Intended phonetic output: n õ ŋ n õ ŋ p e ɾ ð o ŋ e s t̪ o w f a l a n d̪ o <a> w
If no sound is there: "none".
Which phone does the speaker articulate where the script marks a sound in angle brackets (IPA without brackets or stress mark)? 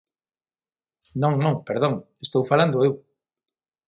e